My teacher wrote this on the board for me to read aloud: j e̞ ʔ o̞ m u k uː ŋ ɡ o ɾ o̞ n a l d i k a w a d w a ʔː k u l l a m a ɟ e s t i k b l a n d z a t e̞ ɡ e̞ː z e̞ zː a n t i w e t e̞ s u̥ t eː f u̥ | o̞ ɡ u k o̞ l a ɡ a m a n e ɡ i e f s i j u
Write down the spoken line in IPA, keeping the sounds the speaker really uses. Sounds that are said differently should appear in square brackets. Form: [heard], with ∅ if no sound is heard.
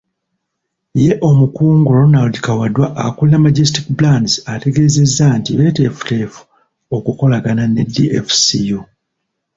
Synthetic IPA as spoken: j e̞ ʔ o̞ m u k uː ŋ ɡ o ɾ o̞ n a l d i k a w a d w a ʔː k u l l a m a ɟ e s t i k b l a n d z a t e̞ ɡ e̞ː z e̞ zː a n t i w e t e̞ [f] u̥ t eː f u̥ | o̞ [k] u k o̞ l a ɡ a [n] a n e [d] i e f s i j u